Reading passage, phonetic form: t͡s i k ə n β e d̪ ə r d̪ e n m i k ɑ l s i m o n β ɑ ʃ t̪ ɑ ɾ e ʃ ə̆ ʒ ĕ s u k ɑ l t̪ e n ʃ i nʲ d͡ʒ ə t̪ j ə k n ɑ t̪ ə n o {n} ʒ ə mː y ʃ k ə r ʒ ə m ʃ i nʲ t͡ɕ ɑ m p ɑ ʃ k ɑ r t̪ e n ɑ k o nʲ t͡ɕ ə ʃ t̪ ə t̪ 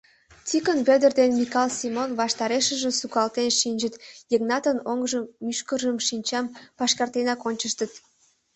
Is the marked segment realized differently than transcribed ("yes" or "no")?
yes